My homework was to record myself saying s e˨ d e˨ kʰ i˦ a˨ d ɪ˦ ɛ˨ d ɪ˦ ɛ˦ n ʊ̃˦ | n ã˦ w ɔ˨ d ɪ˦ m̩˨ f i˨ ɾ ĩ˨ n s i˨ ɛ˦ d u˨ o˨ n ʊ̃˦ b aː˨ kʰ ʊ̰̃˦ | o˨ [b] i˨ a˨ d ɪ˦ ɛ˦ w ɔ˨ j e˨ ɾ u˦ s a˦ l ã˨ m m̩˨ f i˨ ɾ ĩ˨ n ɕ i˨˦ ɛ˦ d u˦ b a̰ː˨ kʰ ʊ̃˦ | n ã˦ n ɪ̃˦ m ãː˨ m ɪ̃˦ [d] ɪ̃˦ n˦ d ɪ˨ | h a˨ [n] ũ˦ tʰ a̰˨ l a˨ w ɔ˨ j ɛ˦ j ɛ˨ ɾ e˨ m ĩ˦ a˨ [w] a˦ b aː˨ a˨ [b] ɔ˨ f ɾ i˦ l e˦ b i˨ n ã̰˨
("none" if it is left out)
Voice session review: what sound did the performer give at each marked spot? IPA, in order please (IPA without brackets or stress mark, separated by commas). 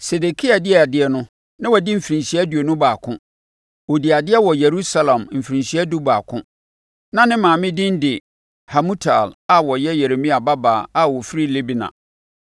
d, d, m, b, w